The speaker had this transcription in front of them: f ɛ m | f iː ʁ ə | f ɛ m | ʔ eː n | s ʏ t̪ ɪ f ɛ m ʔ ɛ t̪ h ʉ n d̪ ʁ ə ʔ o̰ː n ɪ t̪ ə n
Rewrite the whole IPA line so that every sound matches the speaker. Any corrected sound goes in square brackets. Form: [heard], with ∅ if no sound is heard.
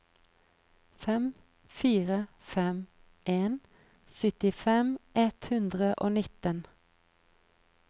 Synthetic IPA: f ɛ m | f iː ʁ ə | f ɛ m | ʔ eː n | s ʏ t̪ ɪ f ɛ m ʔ ɛ t̪ h ʉ n d̪ ʁ ə ʔ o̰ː n ɪ t̪ ə n